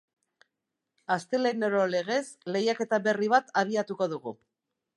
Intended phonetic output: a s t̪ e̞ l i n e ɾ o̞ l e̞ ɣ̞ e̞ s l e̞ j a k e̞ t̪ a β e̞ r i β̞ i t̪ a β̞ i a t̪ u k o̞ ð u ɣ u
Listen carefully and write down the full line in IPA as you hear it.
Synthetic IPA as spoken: a s t̪ e̞ l e n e ɾ o̞ l e̞ ɣ̞ e̞ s l e̞ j a k e̞ t̪ a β e̞ r i β̞ a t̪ a β̞ i a t̪ u k o̞ ð u ɣ u